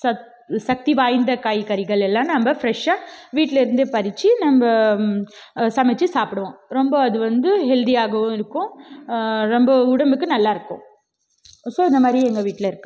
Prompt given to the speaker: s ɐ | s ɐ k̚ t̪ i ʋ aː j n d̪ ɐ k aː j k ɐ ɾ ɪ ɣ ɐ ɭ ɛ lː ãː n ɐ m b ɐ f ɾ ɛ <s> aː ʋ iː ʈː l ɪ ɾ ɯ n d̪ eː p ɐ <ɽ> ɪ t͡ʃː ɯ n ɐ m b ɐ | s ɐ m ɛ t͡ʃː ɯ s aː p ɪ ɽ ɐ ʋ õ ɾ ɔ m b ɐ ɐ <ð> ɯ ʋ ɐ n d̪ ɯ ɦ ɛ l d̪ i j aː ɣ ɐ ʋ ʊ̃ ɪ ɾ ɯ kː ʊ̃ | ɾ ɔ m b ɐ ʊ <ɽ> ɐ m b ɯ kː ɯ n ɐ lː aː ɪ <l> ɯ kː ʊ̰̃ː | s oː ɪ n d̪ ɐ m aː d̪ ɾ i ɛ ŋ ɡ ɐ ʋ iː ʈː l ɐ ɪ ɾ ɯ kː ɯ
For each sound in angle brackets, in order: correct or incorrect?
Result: incorrect, incorrect, correct, correct, incorrect

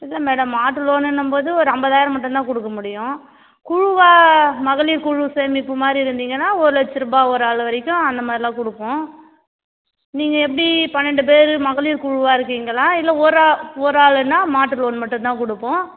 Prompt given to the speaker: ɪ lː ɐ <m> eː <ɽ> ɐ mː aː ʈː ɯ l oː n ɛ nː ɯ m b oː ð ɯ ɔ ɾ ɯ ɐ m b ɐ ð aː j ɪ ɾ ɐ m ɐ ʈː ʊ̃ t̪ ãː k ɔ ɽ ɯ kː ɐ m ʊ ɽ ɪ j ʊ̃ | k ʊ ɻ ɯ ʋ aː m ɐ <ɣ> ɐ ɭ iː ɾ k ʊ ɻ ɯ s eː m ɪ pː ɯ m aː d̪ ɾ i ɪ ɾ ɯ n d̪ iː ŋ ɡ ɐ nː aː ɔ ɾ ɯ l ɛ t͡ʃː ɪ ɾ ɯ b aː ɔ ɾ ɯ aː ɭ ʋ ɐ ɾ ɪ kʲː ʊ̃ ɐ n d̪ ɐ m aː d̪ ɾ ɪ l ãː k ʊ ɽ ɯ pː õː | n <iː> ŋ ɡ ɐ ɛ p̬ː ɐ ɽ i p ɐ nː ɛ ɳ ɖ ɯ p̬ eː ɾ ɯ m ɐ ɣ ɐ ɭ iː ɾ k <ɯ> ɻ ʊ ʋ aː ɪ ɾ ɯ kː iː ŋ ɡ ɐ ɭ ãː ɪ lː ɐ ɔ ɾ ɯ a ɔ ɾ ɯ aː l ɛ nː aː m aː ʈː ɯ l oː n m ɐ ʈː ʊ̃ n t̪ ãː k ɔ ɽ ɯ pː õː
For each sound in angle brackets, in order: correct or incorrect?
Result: correct, correct, correct, correct, incorrect

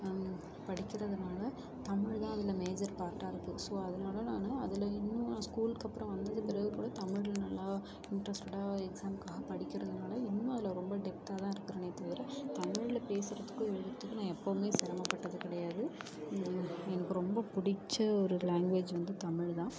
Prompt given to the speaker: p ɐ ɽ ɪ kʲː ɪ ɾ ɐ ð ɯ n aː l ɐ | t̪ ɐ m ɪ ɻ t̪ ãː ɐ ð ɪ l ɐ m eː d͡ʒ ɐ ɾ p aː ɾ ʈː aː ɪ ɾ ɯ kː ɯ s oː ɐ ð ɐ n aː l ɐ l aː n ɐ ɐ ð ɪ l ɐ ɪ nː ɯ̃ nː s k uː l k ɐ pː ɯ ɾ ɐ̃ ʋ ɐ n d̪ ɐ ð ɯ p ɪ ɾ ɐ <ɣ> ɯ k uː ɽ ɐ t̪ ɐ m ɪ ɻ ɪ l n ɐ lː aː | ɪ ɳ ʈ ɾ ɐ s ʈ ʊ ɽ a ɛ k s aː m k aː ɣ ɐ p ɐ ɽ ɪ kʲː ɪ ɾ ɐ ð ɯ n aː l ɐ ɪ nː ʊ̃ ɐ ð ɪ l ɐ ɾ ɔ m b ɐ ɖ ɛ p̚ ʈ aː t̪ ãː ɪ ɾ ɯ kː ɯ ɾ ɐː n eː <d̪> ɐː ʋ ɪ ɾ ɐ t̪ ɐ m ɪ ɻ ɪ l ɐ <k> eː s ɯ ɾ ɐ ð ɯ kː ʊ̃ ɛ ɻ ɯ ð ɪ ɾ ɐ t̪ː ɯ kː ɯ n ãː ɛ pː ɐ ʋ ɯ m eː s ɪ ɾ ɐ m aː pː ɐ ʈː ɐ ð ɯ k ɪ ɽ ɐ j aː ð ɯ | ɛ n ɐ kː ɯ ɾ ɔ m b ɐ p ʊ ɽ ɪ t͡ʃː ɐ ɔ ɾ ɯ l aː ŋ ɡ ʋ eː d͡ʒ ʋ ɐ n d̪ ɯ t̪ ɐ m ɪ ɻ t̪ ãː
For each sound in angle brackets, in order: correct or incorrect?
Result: correct, incorrect, incorrect

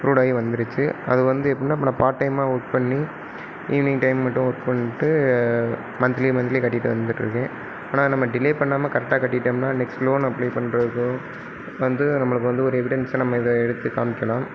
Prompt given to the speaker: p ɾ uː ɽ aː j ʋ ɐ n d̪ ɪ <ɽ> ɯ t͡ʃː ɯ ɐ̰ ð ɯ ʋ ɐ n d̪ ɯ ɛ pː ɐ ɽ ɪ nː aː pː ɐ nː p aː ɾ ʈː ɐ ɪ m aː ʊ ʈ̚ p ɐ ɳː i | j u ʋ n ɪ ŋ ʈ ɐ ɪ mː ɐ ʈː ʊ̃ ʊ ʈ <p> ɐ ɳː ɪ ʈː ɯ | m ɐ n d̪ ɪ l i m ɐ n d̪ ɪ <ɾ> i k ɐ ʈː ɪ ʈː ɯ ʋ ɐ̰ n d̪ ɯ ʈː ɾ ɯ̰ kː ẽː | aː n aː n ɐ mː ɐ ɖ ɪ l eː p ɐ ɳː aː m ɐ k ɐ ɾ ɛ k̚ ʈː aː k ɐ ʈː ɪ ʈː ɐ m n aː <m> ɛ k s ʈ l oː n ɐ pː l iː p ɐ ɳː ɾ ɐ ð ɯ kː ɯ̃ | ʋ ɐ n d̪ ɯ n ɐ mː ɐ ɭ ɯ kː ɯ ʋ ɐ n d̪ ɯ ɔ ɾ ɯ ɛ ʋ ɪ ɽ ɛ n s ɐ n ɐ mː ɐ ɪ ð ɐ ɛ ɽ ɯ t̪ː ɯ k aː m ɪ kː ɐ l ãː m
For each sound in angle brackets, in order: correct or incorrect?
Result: incorrect, correct, incorrect, incorrect

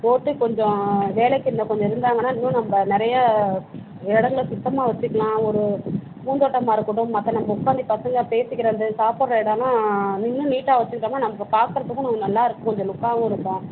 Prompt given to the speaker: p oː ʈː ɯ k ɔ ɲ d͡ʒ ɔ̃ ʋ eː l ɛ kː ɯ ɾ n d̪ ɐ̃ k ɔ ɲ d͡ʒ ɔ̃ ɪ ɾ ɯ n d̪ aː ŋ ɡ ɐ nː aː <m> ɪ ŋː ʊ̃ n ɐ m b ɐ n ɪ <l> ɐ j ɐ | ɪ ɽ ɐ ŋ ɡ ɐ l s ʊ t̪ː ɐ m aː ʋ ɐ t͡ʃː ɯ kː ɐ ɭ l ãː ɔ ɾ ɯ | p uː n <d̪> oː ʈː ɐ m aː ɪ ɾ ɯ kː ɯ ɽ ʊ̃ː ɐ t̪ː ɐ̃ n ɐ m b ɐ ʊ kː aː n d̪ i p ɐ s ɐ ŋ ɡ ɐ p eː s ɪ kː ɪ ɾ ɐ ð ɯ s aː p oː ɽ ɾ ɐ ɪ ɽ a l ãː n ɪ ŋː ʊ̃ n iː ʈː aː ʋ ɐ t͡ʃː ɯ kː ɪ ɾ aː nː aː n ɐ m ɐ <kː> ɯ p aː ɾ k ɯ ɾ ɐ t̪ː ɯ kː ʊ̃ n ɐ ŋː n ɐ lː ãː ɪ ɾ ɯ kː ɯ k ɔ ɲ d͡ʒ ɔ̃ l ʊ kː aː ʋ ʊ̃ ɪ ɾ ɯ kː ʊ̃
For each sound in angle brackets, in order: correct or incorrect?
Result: incorrect, incorrect, correct, correct

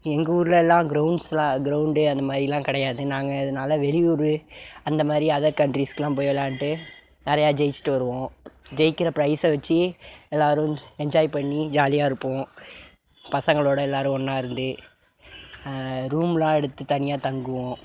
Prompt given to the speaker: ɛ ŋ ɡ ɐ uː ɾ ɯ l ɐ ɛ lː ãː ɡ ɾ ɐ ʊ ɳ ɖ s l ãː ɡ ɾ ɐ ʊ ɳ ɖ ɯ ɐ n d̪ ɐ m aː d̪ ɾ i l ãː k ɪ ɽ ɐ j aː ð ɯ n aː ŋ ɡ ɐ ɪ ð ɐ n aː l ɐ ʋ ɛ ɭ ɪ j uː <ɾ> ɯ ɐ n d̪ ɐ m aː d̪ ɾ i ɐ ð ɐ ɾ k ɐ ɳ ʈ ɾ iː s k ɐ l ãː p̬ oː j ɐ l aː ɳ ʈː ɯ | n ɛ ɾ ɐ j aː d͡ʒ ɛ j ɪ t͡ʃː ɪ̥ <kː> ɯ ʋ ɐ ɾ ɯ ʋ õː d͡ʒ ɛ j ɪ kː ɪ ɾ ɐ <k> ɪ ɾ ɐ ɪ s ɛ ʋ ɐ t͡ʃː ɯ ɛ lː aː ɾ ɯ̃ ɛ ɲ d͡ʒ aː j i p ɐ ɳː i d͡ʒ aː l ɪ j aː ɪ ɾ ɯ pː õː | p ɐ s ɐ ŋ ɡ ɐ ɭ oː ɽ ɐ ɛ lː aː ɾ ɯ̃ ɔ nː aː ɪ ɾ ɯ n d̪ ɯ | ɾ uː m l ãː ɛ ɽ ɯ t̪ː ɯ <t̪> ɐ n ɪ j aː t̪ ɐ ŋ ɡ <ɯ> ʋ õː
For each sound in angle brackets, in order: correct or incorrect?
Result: correct, incorrect, incorrect, correct, correct

